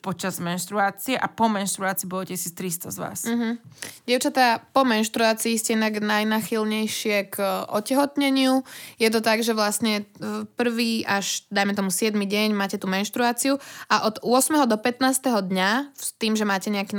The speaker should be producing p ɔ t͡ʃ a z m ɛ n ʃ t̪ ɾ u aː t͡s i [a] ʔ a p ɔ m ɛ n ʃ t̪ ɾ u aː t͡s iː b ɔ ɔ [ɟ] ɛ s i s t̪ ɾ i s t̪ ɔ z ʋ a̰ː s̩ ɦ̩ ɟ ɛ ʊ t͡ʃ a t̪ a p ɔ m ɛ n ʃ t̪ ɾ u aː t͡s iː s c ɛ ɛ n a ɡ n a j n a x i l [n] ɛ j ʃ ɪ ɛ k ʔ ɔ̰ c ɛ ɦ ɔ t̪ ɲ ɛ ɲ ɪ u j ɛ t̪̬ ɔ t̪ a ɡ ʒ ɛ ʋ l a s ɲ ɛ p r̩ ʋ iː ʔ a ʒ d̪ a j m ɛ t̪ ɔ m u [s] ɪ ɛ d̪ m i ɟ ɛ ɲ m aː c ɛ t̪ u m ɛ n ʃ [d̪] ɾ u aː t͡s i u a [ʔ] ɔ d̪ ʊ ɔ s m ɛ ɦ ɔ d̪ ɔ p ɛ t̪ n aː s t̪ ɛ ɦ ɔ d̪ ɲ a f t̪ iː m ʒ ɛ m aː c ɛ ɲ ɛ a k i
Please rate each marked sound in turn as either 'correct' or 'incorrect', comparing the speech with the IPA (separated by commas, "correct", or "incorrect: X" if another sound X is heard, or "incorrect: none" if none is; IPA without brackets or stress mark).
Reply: incorrect: ɛ, incorrect: c, incorrect: ɲ, correct, incorrect: t̪, correct